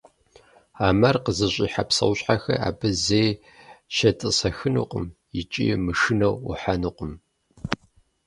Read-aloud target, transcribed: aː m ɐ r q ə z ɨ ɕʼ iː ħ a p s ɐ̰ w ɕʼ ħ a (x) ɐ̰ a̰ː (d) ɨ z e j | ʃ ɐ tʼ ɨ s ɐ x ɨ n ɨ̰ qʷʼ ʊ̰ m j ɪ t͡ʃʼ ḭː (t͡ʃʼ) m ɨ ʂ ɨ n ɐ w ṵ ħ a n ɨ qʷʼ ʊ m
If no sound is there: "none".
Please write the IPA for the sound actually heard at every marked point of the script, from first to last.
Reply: x, b, none

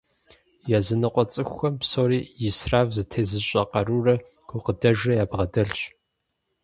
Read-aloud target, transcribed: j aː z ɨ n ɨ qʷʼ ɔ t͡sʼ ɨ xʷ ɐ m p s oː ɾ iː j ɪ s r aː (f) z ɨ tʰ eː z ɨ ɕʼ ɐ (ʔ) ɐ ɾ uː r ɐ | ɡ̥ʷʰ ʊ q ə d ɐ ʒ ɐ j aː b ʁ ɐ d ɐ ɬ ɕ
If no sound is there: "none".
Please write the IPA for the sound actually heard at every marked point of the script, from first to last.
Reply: v, q

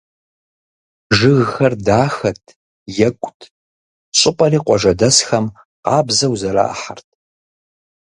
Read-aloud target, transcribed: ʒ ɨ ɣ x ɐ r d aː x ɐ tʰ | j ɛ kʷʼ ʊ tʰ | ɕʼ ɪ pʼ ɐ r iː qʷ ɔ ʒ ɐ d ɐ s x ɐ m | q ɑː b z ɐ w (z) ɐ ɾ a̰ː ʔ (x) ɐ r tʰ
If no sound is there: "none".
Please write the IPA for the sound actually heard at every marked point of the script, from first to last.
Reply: z, ħ

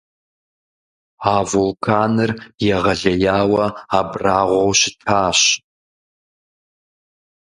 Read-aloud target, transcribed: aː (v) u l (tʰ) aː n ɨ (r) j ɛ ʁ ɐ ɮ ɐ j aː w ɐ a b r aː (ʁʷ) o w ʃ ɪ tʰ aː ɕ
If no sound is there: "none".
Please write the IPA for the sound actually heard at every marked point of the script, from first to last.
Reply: v, kʰ, r, ʁʷ

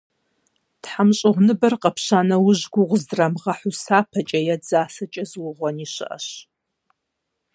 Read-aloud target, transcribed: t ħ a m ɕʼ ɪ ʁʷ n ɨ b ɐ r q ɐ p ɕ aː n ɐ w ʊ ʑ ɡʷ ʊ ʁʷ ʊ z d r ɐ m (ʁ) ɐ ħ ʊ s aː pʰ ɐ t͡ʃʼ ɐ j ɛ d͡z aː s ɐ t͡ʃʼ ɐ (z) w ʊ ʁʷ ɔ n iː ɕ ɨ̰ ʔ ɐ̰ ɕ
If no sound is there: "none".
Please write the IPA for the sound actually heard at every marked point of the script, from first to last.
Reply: ʁ, z

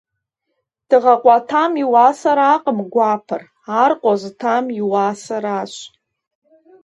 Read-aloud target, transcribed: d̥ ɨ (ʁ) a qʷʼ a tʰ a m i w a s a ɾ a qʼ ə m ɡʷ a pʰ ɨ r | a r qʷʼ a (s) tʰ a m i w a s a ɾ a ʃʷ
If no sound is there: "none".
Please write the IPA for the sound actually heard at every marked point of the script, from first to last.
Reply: ʁ, z

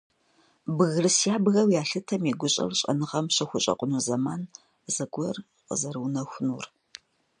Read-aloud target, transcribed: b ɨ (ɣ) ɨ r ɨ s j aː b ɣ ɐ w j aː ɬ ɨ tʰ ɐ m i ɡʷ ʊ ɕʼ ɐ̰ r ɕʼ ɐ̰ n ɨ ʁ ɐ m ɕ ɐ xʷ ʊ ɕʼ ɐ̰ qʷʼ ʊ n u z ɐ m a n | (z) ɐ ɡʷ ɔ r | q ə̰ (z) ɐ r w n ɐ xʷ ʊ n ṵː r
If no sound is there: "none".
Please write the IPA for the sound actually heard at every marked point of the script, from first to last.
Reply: ɣ, z, z

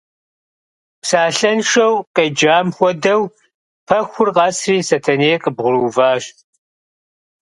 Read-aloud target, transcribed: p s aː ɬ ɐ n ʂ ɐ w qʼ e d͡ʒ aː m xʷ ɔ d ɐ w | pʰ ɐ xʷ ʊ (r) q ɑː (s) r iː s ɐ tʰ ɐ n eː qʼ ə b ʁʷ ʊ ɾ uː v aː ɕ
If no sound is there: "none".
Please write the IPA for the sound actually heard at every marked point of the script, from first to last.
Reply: r, s

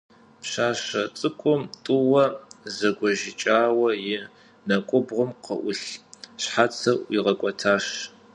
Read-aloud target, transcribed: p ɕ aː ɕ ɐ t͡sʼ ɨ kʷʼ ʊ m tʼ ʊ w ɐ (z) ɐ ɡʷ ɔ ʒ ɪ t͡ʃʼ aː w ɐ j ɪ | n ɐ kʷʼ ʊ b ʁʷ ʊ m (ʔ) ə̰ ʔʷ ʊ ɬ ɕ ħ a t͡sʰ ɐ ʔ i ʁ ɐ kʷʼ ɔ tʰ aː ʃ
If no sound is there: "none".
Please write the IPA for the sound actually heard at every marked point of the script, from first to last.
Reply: z, q

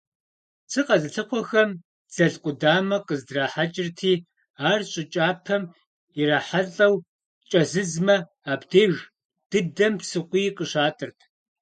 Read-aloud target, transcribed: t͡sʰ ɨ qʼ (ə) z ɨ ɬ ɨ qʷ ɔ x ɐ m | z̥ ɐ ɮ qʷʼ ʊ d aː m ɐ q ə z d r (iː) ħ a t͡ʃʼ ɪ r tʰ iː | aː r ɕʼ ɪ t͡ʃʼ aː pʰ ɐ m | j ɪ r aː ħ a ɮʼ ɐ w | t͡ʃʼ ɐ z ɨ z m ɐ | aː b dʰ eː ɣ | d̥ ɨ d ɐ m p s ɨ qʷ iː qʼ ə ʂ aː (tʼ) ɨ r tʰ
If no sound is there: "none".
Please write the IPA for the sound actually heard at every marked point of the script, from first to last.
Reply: ɐ, aː, tʼ

